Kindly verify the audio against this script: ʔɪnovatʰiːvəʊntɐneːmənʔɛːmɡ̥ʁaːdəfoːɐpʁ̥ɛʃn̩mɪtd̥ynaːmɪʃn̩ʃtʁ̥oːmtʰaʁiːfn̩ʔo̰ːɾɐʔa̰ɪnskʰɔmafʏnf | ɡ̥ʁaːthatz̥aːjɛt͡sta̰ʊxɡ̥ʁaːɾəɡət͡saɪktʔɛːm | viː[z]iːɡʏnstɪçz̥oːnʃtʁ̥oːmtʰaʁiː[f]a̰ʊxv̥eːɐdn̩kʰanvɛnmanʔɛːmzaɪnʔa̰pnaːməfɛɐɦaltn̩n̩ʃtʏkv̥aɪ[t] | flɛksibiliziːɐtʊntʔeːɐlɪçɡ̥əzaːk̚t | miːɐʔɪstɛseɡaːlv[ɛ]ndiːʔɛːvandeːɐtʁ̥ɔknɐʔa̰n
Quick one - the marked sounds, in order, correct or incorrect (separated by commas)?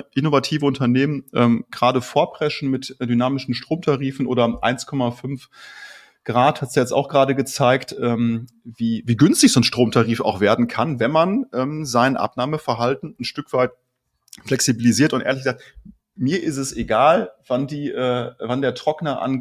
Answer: incorrect, correct, correct, incorrect